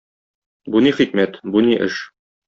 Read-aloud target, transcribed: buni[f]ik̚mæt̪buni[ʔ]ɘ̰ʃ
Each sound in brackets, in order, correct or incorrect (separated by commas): incorrect, correct